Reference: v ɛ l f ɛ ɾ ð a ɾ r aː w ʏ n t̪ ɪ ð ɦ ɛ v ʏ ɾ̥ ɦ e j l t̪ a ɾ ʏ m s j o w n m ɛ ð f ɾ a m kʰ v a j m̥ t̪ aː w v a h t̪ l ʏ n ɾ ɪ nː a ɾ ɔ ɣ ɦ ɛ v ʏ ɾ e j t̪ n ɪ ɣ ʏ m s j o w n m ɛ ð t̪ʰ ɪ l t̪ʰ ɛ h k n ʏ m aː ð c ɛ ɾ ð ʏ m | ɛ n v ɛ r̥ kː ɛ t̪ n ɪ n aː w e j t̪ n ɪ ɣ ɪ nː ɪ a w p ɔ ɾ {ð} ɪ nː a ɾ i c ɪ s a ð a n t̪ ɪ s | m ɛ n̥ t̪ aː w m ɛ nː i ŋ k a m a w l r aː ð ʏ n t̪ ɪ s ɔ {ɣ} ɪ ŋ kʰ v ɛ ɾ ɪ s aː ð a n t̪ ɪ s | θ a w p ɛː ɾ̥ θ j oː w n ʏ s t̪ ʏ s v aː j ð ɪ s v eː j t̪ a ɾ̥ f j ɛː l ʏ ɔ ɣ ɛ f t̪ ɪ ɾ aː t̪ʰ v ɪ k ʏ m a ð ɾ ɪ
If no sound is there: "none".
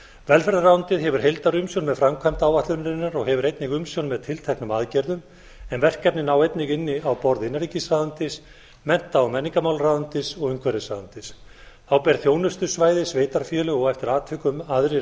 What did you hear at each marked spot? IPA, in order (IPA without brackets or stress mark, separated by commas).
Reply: ð, ɣ